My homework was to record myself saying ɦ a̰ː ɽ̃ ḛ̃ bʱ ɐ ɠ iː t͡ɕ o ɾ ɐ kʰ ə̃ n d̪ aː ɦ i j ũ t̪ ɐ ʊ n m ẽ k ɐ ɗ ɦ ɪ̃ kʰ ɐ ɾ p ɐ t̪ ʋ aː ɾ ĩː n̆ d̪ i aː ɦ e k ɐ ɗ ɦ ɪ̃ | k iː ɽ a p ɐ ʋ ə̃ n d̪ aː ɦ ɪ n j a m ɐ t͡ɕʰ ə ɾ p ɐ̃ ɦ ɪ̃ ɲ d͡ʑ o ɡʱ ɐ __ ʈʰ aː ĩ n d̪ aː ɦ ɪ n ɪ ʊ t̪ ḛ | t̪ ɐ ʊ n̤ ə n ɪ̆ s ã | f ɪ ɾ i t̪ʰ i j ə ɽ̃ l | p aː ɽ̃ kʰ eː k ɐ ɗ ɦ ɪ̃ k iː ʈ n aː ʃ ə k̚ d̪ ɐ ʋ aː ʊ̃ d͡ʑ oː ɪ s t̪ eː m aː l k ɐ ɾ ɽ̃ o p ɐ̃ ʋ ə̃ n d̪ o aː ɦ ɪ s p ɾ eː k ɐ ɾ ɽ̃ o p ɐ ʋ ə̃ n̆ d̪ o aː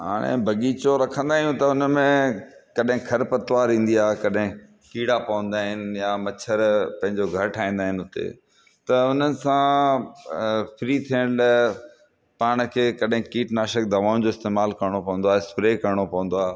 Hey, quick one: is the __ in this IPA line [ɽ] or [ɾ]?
ɾ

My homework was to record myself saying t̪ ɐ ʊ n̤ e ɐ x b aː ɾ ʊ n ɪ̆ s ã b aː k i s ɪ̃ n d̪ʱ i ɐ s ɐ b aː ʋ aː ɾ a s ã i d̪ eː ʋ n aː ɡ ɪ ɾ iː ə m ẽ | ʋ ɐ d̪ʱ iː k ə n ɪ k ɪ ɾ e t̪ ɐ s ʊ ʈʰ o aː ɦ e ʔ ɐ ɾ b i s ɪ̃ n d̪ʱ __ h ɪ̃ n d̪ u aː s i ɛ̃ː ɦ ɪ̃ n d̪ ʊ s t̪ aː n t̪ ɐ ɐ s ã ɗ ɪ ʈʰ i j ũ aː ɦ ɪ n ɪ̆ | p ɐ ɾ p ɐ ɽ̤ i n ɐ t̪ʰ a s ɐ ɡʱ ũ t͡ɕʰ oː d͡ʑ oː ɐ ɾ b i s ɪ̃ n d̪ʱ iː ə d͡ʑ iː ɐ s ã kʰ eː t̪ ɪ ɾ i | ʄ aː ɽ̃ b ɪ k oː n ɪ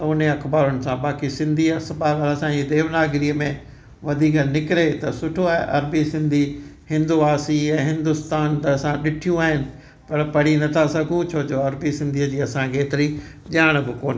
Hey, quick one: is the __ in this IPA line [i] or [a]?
i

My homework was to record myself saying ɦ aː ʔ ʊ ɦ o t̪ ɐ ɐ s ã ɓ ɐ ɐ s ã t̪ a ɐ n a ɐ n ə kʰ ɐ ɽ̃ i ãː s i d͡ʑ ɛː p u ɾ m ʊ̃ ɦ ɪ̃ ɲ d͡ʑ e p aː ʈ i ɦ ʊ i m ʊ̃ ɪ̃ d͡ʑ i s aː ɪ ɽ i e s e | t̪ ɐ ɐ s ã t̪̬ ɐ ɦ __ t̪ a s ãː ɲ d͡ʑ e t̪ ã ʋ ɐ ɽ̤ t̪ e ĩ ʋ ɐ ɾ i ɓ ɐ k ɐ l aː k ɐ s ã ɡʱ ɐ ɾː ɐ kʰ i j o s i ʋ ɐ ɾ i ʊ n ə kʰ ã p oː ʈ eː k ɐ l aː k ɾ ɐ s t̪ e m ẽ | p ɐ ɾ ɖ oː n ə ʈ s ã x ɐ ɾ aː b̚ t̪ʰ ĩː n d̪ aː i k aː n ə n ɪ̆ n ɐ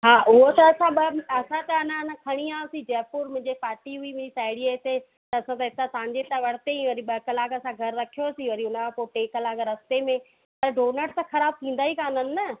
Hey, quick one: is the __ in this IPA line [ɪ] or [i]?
ɪ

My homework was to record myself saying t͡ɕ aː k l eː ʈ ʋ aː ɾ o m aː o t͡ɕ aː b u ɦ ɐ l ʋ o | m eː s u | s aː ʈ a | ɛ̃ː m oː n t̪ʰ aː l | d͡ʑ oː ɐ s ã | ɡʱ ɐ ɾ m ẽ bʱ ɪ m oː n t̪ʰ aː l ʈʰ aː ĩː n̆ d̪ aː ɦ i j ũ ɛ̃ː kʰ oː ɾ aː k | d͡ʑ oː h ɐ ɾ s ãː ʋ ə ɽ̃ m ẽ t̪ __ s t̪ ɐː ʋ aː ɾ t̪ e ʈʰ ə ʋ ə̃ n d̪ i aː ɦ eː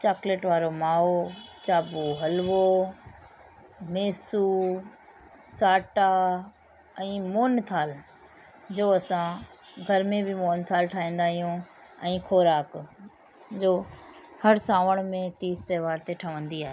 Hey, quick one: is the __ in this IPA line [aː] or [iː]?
iː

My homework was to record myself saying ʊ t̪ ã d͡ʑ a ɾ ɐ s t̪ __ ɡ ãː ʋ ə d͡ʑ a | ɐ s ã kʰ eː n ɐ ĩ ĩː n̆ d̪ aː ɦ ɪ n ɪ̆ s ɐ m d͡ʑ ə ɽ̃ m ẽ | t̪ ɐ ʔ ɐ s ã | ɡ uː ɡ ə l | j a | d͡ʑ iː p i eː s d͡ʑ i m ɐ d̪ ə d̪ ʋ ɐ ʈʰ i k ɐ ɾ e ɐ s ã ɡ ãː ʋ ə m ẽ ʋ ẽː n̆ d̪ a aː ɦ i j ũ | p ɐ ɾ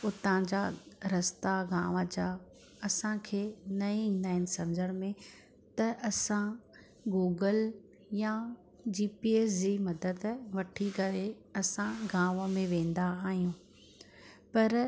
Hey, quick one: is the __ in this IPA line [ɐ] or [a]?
a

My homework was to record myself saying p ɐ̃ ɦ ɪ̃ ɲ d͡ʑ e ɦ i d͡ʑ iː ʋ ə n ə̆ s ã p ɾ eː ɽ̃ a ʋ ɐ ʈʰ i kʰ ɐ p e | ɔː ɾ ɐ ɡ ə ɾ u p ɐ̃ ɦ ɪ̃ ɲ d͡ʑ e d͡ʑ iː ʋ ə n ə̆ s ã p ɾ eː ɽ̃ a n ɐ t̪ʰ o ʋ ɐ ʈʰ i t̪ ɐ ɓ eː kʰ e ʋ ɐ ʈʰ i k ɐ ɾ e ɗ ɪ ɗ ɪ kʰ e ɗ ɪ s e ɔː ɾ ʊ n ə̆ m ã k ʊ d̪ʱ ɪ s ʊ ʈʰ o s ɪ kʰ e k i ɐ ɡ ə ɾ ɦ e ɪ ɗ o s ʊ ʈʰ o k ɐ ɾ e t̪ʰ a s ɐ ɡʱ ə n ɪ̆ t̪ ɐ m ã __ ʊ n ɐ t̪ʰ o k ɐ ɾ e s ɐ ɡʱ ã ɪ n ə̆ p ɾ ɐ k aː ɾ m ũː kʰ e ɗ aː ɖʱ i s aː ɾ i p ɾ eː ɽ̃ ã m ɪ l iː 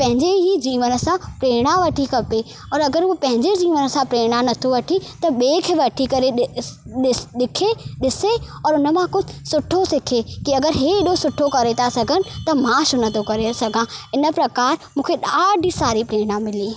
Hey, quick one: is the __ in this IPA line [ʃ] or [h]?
ʃ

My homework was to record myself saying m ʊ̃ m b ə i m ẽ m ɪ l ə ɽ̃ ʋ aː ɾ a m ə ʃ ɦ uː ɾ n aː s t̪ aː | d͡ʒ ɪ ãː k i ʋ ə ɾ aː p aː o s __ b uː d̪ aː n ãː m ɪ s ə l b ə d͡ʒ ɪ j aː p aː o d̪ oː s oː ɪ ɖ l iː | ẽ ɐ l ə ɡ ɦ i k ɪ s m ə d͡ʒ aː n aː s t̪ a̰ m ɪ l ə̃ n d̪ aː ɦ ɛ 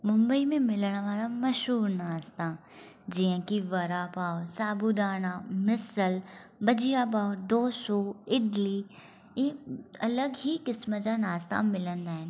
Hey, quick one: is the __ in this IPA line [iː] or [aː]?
aː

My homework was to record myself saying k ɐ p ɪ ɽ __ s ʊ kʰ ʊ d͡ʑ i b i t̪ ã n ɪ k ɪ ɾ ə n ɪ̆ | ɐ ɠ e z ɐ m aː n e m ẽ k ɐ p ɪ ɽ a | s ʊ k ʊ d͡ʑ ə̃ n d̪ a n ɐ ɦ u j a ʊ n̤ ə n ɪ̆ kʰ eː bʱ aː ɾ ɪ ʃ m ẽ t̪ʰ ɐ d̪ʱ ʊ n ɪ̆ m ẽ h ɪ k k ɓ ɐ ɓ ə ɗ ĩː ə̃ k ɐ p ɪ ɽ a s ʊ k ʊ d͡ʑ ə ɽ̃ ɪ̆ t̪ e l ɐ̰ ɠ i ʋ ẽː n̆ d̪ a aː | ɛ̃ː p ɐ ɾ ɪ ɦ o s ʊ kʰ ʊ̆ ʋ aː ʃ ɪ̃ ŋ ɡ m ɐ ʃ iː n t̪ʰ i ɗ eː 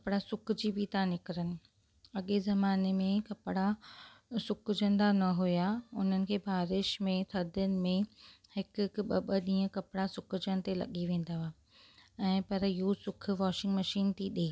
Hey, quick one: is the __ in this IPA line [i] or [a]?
a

